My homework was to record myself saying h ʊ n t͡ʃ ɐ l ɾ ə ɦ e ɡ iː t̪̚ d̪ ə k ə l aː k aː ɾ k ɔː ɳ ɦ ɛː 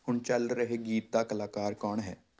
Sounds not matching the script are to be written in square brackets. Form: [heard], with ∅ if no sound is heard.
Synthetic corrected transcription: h ʊ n t͡ʃ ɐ l ɾ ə ɦ e ɡ iː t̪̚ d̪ [a] k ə l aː k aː ɾ k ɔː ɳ ɦ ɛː